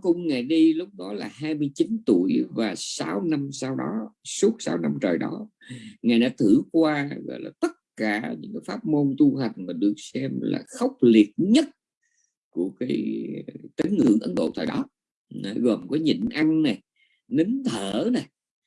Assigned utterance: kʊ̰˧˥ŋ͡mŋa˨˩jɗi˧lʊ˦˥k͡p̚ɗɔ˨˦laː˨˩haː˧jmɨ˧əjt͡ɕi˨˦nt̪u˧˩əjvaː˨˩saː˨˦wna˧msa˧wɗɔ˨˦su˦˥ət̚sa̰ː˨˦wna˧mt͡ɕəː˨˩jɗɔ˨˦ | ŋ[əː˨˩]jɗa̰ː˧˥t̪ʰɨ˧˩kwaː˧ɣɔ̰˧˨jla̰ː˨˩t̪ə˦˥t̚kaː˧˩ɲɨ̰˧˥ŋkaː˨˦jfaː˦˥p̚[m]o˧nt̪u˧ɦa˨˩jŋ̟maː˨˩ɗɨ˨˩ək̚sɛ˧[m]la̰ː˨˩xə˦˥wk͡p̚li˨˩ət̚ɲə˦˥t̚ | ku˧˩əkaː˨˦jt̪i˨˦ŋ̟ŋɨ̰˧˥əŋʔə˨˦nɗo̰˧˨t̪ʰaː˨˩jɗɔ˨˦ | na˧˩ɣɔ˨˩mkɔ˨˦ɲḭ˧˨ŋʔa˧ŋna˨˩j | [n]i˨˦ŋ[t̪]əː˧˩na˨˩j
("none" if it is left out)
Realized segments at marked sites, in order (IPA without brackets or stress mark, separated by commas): aː˨˩, m, m, n, t̪ʰ